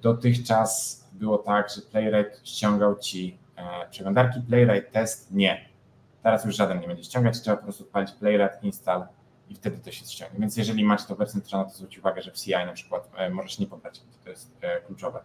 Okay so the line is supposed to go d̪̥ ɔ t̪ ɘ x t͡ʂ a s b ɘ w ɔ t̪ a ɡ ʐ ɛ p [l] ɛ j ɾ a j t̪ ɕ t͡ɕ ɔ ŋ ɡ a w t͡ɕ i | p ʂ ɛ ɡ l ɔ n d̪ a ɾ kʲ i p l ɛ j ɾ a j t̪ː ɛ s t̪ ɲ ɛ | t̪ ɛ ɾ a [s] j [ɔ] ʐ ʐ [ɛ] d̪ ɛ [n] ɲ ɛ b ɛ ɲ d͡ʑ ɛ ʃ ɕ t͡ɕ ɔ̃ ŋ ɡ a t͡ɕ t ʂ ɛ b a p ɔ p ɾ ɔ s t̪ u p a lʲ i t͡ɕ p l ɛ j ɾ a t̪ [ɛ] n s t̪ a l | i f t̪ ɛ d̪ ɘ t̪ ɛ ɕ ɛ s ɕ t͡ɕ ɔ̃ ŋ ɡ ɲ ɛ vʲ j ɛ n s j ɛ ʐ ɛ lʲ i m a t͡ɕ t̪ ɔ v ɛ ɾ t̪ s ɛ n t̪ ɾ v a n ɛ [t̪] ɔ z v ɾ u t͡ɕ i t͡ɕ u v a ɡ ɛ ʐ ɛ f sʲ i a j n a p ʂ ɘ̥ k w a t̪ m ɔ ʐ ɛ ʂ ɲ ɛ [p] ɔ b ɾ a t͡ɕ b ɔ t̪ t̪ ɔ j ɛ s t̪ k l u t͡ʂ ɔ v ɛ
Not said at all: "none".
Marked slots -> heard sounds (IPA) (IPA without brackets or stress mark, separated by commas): l, s, u, a, n, i, t̪, p